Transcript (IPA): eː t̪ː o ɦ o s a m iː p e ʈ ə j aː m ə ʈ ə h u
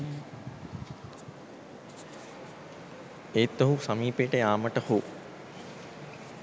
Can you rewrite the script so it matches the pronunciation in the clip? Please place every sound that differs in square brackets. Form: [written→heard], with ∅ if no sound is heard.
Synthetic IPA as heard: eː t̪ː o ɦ [o→u] s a m iː p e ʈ ə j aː m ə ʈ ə h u